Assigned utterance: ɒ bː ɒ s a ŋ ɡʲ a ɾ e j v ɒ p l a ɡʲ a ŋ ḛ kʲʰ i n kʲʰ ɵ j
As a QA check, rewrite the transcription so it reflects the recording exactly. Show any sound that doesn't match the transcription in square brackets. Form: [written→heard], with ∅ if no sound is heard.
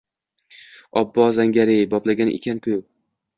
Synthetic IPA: ɒ bː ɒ [s→z] a ŋ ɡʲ a ɾ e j [v→b] ɒ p l a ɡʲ a [ŋ→n] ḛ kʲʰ [i→a] n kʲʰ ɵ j